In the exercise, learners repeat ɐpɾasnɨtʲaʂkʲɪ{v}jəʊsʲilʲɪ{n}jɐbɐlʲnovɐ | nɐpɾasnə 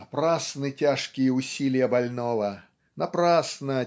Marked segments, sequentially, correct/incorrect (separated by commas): incorrect, incorrect